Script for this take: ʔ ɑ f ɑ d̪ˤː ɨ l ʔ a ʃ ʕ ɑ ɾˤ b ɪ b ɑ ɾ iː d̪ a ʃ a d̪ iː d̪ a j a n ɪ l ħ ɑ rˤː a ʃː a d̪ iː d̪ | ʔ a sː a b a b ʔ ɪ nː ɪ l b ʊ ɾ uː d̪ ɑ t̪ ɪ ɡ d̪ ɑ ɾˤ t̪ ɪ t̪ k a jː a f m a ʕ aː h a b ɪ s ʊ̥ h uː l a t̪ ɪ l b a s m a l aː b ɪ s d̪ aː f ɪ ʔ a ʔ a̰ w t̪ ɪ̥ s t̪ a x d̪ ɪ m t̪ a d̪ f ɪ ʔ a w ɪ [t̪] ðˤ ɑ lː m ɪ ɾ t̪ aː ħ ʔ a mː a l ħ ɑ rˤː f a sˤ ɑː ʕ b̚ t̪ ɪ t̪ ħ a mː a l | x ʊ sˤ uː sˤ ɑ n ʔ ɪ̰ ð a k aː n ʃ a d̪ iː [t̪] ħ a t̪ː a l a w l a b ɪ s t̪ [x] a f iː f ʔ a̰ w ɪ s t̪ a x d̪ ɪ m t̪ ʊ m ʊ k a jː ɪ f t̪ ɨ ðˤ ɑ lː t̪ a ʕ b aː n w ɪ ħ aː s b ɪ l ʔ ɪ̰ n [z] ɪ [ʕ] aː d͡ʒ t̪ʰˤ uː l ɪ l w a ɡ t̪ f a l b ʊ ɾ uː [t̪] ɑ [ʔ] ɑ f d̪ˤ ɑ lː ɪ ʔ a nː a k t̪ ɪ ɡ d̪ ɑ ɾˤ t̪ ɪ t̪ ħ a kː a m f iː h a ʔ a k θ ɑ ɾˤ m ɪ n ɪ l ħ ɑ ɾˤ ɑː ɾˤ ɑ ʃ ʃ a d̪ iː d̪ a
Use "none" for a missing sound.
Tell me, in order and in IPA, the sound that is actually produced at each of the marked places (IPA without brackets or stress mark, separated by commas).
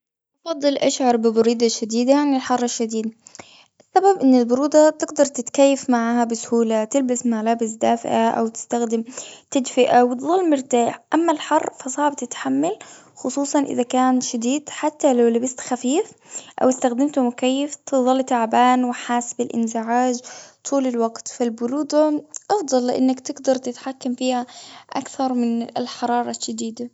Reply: t̪, d̪, x, z, ʕ, d̪, ʔ